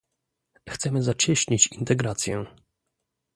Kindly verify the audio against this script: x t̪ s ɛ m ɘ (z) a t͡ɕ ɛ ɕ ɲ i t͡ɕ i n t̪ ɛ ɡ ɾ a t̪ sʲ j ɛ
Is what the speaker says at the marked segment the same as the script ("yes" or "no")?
yes